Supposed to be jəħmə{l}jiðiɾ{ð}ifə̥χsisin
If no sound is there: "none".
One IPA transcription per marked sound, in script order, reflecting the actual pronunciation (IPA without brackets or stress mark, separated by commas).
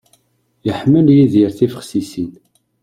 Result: l, θ